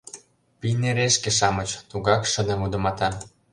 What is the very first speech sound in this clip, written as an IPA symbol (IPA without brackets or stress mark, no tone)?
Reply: p